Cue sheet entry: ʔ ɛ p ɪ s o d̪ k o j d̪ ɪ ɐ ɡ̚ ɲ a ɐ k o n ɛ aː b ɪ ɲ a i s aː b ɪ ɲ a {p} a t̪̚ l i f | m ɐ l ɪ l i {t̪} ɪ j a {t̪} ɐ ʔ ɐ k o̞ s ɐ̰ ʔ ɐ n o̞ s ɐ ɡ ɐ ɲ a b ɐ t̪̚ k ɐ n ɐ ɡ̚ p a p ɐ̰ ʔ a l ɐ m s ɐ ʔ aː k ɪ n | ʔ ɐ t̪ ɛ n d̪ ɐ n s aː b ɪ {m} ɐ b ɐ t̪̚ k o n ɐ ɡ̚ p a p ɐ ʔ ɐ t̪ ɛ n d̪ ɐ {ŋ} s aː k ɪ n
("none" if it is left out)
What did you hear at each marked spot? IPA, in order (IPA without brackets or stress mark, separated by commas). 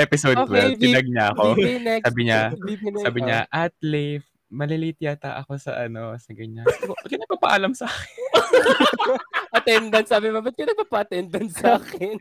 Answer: ʔ, t̪, t̪, m, n